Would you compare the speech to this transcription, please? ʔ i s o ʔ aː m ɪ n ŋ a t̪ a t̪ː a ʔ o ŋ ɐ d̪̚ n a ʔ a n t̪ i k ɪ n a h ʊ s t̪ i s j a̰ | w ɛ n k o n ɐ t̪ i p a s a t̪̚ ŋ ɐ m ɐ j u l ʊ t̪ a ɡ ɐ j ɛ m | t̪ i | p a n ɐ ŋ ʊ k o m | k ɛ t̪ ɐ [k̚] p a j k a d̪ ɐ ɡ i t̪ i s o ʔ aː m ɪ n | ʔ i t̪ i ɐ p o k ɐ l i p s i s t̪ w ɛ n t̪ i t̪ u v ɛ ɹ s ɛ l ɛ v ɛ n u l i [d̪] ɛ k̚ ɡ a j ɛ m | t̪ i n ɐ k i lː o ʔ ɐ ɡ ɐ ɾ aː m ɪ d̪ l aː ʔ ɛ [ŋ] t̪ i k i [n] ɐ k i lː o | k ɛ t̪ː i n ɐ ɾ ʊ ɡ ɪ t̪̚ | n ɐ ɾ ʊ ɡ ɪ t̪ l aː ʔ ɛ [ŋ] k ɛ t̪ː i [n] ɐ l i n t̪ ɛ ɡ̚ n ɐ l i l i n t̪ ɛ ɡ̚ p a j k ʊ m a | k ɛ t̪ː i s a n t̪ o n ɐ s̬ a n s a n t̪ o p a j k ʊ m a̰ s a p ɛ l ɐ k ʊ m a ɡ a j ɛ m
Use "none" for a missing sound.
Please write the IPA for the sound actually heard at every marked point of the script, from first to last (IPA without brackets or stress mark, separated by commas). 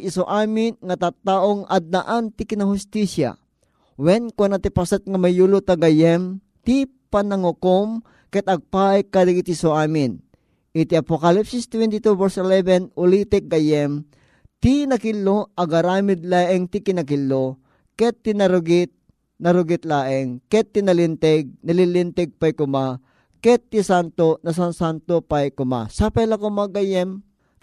ɡ̚, t̪, ŋ, n, ŋ, n